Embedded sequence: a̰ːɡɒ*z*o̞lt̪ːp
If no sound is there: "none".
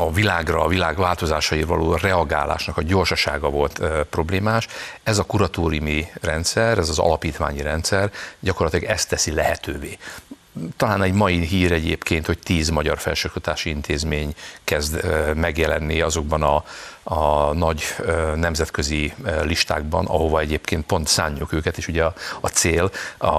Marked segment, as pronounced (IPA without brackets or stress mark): v